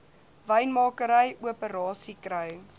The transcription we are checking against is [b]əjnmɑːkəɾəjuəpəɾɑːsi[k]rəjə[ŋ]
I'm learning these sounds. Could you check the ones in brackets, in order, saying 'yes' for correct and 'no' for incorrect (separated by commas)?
no, yes, yes